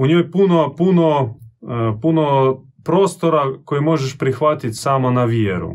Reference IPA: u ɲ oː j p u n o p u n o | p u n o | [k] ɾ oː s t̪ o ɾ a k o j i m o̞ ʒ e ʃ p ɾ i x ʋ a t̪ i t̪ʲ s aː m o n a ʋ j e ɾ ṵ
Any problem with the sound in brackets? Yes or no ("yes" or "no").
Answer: yes